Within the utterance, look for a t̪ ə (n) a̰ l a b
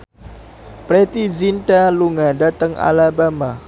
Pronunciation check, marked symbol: incorrect: ŋ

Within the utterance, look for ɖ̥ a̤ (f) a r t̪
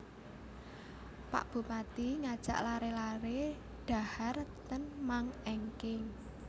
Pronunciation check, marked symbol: incorrect: h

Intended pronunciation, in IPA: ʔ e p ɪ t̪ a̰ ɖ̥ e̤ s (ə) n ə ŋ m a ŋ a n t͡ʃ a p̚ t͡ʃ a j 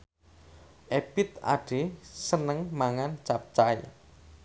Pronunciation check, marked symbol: correct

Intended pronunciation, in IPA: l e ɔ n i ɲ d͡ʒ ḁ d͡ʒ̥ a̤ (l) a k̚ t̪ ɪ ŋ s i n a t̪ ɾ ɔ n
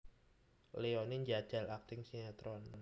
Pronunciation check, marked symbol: correct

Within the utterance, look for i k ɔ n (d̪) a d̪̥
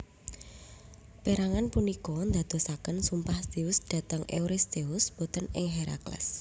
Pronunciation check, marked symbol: correct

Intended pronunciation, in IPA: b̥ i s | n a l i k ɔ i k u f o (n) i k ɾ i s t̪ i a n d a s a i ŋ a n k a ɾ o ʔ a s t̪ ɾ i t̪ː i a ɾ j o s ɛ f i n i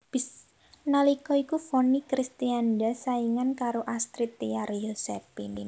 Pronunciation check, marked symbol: correct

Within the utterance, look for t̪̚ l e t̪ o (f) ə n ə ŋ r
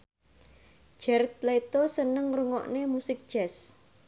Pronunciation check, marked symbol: incorrect: s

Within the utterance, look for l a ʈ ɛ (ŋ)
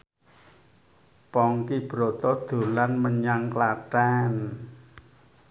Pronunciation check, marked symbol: incorrect: n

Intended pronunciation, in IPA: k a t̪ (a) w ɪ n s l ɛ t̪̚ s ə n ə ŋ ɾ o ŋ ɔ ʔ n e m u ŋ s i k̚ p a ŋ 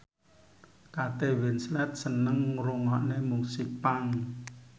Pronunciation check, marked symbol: incorrect: e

